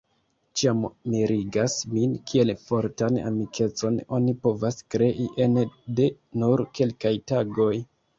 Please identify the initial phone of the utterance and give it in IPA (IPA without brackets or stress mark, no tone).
t͡ʃ